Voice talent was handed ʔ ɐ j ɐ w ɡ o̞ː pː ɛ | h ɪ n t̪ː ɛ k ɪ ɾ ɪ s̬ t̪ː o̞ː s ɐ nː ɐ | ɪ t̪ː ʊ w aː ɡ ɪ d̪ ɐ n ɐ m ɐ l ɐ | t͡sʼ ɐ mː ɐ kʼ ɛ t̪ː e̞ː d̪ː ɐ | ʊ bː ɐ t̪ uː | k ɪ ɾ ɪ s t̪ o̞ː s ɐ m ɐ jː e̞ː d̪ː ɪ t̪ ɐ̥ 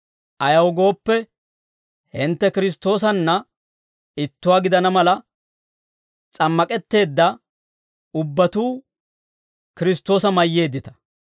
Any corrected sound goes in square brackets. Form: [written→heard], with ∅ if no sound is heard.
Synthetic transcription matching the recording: ʔ ɐ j ɐ w ɡ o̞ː pː ɛ | h ɪ n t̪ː ɛ k ɪ ɾ ɪ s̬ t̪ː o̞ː s ɐ nː ɐ | ɪ t̪ː ʊ w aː ɡ ɪ d̪ ɐ n ɐ m ɐ l ɐ | t͡sʼ ɐ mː ɐ kʼ ɛ t̪ː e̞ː d̪ː ɐ | ʊ bː ɐ t̪ uː | k ɪ ɾ ɪ s t̪ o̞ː s ɐ m ɐ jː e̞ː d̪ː ɪ t̪ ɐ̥

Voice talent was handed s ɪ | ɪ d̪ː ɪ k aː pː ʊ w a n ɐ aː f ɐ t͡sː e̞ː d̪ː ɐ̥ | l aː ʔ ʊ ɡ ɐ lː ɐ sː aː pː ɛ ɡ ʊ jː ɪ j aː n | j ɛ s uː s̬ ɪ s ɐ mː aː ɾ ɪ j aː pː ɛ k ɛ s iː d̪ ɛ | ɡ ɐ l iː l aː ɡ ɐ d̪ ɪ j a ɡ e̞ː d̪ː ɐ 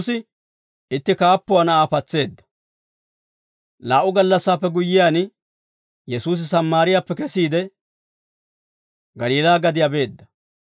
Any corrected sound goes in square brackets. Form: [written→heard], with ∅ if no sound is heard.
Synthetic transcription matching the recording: s ɪ | ɪ [d̪ː→t̪ː] ɪ k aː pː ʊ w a n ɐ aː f ɐ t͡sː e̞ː d̪ː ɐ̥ | l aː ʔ ʊ ɡ ɐ lː ɐ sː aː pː ɛ ɡ ʊ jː ɪ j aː n | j ɛ s uː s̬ ɪ s ɐ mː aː ɾ ɪ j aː pː ɛ k ɛ s iː d̪ ɛ | ɡ ɐ l iː l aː ɡ ɐ d̪ ɪ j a [ɡ→b] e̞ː d̪ː ɐ

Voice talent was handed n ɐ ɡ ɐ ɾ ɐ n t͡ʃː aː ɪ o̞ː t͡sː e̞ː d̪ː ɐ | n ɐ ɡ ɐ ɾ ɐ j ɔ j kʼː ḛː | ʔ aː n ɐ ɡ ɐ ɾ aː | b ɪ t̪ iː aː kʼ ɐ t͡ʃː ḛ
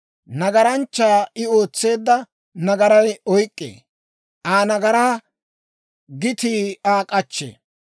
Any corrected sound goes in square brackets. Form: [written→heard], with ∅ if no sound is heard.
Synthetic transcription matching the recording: n ɐ ɡ ɐ ɾ ɐ n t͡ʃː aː ɪ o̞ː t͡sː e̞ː d̪ː ɐ | n ɐ ɡ ɐ ɾ ɐ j ɔ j kʼː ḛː | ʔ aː n ɐ ɡ ɐ ɾ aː | [b→ɡ] ɪ t̪ iː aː kʼ ɐ t͡ʃː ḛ

